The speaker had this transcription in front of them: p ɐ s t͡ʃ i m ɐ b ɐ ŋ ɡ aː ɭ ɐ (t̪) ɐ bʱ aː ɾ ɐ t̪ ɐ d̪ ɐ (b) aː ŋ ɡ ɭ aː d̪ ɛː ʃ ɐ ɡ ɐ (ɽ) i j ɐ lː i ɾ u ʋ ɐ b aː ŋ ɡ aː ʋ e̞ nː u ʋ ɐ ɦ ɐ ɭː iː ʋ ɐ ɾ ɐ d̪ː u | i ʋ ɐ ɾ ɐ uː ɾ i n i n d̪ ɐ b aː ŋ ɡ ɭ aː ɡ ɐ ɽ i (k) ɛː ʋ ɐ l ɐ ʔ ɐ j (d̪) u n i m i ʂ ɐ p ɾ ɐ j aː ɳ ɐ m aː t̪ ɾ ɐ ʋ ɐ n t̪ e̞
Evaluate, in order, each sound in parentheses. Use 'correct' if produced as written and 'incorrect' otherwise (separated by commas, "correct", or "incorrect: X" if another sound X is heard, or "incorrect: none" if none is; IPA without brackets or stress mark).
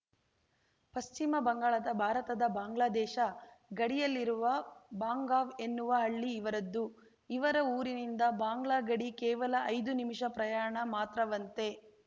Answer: incorrect: d̪, correct, correct, correct, correct